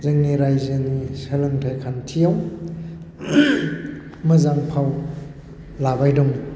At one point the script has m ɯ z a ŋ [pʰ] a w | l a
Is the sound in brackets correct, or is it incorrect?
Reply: correct